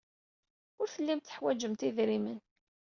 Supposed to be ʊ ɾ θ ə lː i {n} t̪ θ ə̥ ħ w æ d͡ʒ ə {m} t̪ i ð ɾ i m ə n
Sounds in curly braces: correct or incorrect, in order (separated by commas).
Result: incorrect, correct